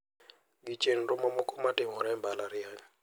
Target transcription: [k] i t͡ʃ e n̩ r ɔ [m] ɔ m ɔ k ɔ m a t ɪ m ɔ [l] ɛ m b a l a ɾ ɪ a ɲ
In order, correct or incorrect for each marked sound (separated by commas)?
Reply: incorrect, correct, incorrect